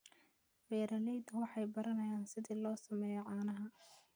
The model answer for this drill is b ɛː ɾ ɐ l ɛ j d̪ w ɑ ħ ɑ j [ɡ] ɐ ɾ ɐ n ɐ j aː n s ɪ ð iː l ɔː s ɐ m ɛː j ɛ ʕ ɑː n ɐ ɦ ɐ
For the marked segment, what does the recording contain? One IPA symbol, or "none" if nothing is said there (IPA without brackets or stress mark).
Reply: b